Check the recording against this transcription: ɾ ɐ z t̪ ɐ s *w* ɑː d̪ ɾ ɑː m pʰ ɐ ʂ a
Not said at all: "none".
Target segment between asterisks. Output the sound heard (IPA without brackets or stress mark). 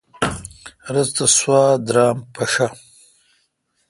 w